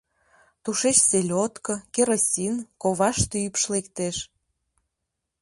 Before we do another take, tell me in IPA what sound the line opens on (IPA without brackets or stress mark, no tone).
t̪